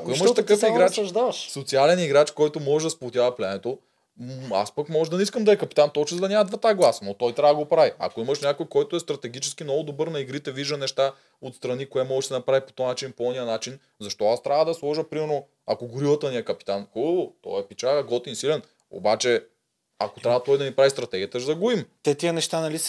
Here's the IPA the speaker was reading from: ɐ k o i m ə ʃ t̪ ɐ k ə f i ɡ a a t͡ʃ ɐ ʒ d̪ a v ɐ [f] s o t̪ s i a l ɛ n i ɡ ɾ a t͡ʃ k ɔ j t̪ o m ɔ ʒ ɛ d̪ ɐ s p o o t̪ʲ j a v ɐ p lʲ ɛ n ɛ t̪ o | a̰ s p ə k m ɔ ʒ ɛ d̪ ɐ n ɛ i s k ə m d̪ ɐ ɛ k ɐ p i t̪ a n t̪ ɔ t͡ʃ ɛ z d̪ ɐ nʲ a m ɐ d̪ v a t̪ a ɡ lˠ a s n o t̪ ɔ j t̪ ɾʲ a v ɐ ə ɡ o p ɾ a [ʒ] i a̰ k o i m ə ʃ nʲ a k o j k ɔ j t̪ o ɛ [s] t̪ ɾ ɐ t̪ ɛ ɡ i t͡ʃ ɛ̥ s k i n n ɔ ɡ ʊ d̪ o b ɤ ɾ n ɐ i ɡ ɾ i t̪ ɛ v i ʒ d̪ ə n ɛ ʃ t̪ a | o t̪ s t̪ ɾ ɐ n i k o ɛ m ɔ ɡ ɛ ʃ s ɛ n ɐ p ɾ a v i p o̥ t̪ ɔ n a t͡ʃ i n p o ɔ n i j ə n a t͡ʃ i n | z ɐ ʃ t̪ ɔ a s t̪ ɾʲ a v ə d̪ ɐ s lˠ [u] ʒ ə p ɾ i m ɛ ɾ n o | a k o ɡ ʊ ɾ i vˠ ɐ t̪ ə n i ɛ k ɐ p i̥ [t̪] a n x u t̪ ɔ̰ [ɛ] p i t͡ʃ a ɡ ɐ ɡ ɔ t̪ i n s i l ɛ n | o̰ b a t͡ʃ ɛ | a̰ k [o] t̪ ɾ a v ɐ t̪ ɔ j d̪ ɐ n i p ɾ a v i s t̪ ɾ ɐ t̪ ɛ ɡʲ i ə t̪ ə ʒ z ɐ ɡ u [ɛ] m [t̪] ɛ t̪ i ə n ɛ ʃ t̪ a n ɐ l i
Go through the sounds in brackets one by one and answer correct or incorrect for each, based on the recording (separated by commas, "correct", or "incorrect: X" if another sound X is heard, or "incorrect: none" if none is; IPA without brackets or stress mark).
incorrect: ʃ, incorrect: v, correct, incorrect: ɔ, correct, correct, correct, incorrect: i, correct